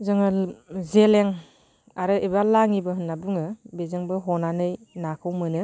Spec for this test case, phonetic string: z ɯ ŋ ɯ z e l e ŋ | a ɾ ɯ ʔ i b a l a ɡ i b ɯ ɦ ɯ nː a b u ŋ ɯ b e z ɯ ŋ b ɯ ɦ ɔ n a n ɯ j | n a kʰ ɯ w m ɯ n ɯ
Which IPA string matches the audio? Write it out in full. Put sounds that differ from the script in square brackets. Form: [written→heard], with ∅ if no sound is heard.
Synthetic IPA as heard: z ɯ ŋ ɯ z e l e ŋ | a ɾ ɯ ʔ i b a l a [ɡ→ŋ] i b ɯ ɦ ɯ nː a b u ŋ ɯ b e z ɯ ŋ b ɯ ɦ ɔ n a n ɯ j | n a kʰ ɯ w m ɯ n ɯ

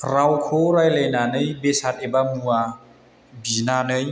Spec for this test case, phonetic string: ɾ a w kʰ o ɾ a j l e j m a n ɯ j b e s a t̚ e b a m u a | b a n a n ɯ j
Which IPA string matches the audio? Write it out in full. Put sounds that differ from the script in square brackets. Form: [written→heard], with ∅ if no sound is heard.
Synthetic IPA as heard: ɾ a w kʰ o ɾ a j l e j [m→n] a n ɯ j b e s a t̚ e b a m u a | b [a→i] n a n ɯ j

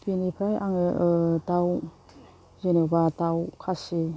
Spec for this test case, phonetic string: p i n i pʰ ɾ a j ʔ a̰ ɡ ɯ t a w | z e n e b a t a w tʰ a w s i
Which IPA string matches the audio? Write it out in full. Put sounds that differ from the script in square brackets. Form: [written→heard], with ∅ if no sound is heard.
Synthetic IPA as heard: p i n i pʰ ɾ a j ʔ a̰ [ɡ→ŋ] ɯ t a w | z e n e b a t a w [tʰ→kʰ] a [w→∅] s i

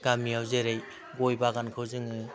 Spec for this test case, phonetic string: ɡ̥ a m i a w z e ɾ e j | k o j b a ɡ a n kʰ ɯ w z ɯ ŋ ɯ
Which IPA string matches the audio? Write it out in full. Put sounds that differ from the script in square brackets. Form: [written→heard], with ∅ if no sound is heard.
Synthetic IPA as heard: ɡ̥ a m i a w z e ɾ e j | [k→ɡ] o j b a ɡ a n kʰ ɯ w z ɯ ŋ ɯ

